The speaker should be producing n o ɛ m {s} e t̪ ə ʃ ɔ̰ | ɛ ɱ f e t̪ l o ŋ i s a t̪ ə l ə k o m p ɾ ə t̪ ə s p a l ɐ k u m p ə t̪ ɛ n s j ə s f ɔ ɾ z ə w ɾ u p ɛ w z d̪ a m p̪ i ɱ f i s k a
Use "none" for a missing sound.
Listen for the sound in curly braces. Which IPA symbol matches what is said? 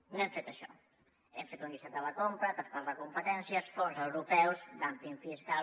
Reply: f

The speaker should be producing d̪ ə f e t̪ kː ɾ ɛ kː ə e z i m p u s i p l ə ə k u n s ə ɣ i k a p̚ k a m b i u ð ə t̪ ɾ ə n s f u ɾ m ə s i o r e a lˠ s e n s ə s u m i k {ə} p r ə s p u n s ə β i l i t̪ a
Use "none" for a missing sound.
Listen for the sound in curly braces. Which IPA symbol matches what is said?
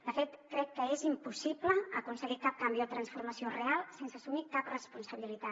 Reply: a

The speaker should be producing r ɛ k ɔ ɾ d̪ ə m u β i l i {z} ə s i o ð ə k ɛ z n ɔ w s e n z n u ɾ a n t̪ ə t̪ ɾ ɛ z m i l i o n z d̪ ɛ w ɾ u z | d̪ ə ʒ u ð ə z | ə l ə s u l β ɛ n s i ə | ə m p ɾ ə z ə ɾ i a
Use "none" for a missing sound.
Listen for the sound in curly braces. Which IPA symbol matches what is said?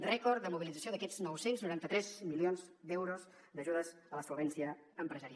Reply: d͡z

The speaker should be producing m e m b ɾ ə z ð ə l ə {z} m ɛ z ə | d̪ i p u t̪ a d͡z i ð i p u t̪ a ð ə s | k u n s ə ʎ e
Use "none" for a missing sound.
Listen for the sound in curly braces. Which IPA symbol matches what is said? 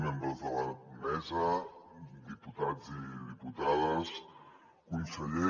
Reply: none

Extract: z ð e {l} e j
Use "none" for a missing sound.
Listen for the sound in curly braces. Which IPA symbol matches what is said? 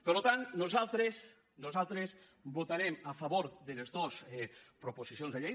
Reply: ʎ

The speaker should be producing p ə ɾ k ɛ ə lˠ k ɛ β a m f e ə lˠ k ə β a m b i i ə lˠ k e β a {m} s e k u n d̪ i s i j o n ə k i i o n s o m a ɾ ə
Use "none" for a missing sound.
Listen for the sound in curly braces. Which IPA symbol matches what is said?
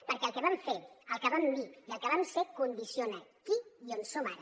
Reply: m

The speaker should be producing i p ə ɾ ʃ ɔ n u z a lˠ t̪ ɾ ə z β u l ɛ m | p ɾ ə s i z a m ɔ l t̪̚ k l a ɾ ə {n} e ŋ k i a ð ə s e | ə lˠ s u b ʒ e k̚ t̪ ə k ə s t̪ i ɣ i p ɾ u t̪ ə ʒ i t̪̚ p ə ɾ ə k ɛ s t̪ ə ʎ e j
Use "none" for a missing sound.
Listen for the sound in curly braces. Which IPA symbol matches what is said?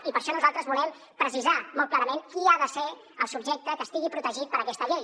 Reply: m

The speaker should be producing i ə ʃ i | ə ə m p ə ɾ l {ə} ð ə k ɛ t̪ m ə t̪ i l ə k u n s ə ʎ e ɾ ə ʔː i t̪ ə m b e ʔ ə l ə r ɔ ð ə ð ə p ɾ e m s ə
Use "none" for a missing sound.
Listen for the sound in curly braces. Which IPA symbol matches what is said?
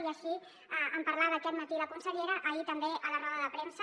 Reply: a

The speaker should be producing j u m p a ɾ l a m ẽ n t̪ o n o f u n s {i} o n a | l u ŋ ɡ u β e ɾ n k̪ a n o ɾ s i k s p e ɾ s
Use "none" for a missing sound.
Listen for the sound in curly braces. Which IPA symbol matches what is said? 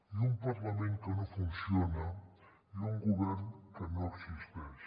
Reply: j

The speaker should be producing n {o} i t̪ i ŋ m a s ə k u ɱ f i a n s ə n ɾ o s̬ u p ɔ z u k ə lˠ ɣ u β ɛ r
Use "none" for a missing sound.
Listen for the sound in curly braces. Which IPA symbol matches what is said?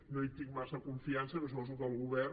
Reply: o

